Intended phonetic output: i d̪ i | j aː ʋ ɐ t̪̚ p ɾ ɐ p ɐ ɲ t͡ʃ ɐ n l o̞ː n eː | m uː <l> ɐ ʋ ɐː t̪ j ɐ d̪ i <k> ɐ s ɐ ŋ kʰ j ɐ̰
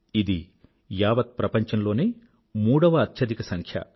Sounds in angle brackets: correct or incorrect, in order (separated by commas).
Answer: incorrect, correct